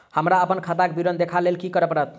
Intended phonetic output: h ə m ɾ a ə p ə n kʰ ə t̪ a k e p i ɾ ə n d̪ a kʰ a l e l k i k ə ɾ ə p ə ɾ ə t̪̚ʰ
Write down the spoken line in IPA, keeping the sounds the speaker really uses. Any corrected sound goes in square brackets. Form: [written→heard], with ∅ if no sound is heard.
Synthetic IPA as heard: h ə m ɾ a ə p ə n kʰ [ə→a] t̪ a k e [p→b] i ɾ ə n d̪ [a→e] kʰ a l e l k i k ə ɾ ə p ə ɾ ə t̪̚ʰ